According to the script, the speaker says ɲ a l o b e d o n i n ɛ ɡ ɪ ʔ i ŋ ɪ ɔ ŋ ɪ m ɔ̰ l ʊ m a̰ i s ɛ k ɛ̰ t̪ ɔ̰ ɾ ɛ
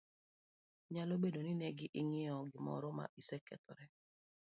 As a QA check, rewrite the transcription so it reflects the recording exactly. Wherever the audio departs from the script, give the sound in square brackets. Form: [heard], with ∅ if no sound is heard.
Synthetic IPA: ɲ a l o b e d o n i n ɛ ɡ ɪ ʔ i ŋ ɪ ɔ [ɡ] ɪ m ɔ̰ [ɾ] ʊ m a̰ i s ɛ k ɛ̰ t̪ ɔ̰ ɾ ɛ